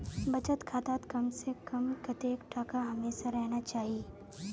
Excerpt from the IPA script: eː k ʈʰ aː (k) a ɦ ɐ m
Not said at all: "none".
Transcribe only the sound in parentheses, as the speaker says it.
k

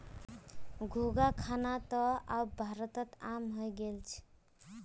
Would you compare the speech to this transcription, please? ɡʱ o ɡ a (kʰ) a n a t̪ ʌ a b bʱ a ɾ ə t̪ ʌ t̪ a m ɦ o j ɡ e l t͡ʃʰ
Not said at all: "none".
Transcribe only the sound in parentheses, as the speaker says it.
kʰ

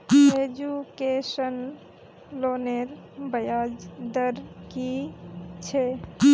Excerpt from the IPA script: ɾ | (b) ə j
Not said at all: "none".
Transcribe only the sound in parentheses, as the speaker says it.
b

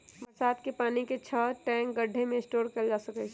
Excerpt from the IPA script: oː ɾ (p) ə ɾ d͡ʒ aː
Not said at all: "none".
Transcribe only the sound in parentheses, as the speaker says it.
k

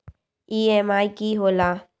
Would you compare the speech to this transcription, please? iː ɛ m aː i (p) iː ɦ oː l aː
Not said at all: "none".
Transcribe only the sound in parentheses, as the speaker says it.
k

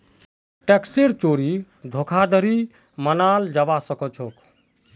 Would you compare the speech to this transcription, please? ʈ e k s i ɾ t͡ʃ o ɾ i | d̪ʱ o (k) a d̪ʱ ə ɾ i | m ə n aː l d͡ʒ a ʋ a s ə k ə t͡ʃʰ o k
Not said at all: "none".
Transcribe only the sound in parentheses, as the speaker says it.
kʰ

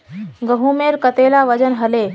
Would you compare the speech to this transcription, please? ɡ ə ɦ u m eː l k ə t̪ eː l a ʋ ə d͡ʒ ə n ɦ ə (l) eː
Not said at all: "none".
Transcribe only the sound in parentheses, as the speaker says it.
l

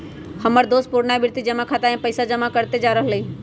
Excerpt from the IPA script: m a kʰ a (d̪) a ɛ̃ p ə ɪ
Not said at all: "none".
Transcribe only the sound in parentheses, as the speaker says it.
t̪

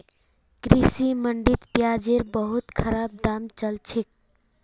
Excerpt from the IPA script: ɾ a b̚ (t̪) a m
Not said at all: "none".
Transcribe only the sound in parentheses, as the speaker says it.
d̪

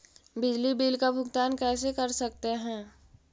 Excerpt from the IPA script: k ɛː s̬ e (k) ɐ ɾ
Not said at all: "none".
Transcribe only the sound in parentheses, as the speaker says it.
k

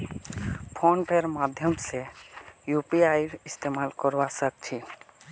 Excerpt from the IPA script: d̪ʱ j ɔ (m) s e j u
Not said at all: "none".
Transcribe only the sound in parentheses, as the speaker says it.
m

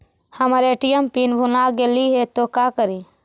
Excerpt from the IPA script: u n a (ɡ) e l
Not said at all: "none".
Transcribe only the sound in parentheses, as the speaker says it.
ɡ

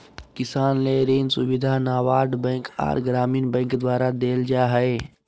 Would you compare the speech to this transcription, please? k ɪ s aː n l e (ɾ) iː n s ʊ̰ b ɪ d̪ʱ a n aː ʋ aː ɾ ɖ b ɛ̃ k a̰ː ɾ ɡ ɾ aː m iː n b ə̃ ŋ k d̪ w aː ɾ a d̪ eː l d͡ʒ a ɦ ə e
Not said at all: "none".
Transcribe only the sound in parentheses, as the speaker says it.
ɾ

